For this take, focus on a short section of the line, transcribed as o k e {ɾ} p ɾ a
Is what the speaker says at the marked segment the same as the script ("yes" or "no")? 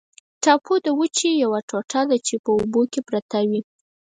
no